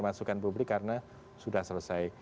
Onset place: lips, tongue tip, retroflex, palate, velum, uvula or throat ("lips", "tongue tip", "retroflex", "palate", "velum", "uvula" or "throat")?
lips